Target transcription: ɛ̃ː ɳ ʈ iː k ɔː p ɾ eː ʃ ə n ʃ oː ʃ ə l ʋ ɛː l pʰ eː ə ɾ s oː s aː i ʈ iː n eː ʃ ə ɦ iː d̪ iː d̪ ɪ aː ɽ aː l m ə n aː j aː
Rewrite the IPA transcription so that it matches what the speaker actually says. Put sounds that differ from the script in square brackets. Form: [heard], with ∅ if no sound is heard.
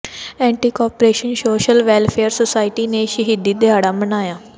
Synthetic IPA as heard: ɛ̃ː ɳ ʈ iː k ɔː p ɾ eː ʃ ə n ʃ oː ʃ ə l ʋ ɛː l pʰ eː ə ɾ s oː s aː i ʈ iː n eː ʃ ə ɦ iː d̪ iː d̪ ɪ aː ɽ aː [∅] m ə n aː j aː